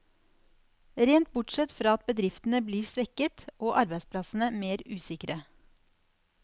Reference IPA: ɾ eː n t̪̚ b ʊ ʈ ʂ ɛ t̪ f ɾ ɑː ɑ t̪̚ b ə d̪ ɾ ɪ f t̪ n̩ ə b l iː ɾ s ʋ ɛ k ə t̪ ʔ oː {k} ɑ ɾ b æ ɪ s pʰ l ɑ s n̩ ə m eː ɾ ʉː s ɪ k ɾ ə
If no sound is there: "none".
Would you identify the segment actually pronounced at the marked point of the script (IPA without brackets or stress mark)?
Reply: ʔ